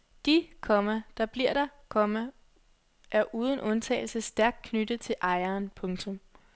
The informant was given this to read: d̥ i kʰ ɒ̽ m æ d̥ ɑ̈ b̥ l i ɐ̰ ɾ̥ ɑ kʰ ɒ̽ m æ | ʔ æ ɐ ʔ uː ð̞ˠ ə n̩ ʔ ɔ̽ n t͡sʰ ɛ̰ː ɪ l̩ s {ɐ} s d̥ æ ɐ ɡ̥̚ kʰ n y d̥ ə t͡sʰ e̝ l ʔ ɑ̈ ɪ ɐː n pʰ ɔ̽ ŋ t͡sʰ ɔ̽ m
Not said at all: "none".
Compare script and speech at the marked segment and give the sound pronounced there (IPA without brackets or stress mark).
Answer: ə